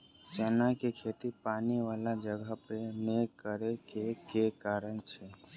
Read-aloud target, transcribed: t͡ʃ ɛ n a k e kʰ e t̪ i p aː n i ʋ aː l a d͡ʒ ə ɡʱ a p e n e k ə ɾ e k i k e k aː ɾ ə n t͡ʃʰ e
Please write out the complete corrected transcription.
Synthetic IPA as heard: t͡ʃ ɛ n a k e kʰ e t̪ i p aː n i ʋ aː l a d͡ʒ ə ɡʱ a p e n e k ə ɾ e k e k e k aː ɾ ə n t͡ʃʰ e